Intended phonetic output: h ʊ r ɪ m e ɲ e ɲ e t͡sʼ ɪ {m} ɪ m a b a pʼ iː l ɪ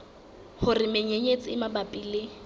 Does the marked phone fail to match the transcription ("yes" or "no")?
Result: yes